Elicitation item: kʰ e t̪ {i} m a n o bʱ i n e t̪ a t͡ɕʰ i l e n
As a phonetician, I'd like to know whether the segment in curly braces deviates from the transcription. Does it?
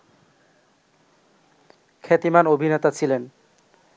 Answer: no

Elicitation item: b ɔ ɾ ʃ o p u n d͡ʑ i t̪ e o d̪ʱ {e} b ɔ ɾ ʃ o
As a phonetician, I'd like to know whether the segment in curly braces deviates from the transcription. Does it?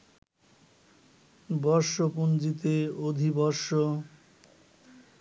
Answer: yes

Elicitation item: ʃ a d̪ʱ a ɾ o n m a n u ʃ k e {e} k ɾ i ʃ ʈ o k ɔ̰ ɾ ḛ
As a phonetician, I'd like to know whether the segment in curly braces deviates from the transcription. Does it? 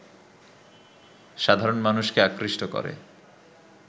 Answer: yes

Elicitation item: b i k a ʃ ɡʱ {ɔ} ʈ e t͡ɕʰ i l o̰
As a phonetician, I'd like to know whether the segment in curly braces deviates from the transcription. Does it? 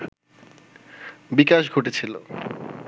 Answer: yes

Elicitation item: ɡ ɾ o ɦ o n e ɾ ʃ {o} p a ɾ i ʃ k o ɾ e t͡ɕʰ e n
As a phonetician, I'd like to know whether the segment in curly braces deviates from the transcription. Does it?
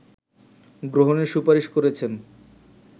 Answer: yes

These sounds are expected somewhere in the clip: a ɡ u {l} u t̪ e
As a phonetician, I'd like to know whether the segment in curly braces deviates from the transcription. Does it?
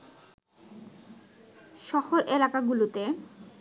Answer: no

